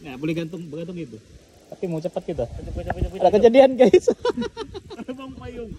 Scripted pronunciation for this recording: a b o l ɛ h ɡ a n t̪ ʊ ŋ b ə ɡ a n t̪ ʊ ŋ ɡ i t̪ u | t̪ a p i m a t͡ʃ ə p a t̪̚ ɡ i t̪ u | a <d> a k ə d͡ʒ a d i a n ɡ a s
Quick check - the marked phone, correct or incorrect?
correct